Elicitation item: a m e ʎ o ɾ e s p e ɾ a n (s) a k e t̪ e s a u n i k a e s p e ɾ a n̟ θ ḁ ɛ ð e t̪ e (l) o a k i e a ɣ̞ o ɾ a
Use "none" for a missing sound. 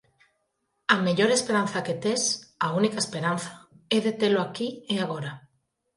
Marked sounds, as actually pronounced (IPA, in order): θ, l

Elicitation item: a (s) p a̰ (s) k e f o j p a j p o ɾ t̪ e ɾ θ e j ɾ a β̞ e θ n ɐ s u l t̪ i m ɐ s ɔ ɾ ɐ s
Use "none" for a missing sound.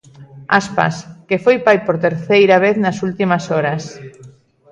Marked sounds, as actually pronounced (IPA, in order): s, s

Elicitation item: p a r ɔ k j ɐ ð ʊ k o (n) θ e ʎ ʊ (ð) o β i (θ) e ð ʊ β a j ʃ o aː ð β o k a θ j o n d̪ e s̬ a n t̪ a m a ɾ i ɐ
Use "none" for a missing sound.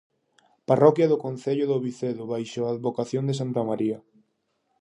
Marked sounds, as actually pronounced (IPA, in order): n, ð, θ

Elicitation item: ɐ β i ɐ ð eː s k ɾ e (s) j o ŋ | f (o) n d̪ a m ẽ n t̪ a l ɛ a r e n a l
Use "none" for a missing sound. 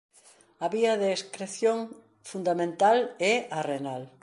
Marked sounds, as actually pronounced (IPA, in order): θ, u

